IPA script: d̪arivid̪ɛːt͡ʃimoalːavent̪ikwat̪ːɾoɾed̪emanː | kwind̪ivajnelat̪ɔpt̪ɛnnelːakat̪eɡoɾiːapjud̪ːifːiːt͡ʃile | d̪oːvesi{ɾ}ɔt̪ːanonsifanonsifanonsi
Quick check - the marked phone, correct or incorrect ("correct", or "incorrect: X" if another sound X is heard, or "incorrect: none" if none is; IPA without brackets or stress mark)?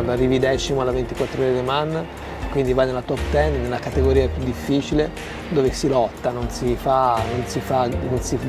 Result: incorrect: l